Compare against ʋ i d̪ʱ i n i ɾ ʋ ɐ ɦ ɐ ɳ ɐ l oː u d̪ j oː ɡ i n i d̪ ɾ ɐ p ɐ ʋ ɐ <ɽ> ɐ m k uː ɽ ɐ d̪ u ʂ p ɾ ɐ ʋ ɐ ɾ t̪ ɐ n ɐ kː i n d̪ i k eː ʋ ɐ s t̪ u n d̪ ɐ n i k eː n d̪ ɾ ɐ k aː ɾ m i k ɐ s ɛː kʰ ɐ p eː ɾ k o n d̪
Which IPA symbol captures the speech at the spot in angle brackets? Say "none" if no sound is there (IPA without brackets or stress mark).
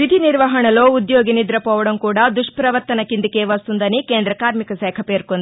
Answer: ɽ